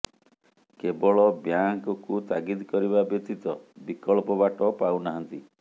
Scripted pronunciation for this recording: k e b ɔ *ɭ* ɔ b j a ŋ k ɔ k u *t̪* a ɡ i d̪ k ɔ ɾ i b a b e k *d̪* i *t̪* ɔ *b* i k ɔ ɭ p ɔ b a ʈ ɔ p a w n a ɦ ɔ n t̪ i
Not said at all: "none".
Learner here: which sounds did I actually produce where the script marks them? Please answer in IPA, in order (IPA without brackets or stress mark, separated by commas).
ɭ, t̪, t̪, t̪, b